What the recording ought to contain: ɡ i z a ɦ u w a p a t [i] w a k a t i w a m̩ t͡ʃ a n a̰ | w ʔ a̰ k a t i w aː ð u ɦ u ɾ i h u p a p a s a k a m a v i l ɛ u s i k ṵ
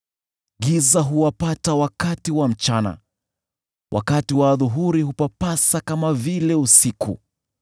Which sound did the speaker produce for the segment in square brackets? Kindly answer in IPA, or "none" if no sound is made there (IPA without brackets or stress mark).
a